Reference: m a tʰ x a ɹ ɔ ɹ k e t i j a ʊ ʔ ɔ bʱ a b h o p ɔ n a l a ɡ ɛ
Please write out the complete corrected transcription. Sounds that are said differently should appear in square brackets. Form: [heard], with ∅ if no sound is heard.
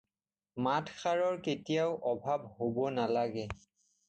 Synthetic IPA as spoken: m a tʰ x a ɹ ɔ ɹ k e t i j a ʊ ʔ ɔ bʱ a b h o [b] ɔ n a l a ɡ ɛ

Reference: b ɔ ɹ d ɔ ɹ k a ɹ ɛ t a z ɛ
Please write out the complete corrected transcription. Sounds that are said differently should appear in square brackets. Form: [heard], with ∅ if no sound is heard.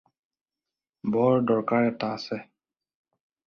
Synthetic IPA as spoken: b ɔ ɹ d ɔ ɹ k a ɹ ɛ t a [s] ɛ

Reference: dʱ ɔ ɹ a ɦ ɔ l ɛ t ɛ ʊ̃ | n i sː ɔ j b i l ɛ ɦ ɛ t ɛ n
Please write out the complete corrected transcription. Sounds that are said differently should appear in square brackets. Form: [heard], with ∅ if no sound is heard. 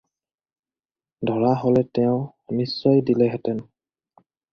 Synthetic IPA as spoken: dʱ ɔ ɹ a ɦ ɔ l ɛ t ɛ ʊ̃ | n i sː ɔ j [d] i l ɛ ɦ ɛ t ɛ n

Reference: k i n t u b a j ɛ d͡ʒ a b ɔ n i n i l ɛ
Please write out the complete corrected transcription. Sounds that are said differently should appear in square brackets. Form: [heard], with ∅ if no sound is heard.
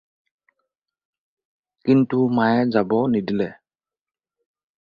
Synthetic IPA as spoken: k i n t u [m] a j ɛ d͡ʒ a b ɔ n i [d] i l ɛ

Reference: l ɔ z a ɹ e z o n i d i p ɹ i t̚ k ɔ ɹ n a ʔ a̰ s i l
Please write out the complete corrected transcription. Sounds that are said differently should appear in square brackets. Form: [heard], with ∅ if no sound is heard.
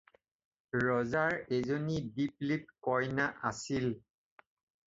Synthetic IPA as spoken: [ɹ] ɔ z a ɹ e z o n i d i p [l] i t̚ k ɔ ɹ n a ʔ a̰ s i l

